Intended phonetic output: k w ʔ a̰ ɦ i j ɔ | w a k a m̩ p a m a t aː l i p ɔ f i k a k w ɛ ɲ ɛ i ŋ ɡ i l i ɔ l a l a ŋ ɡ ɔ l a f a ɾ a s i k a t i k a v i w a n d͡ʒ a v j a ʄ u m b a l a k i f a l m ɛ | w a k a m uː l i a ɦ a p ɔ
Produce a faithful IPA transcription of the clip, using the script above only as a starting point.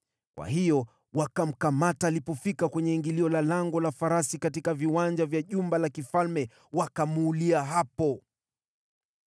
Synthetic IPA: k w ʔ a̰ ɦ i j ɔ | w a k a m̩ k a m a t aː l i p ɔ f i k a k w ɛ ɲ ɛ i ŋ ɡ i l i ɔ l a l a ŋ ɡ ɔ l a f a ɾ a s i k a t i k a v i w a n d͡ʒ a v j a ʄ u m b a l a k i f a l m ɛ | w a k a m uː l i a ɦ a p ɔ